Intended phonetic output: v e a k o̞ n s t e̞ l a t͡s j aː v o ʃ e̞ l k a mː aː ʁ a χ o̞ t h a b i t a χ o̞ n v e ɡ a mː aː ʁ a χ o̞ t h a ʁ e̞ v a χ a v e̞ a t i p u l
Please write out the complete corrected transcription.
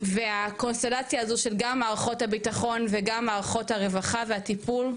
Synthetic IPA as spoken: v e a k o̞ n s t e̞ l a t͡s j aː z o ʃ e̞ l ɡ a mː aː ʁ a χ o̞ t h a b i t a χ o̞ n v e ɡ a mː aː ʁ a χ o̞ t h a ʁ e̞ v a χ a v e̞ a t i p u l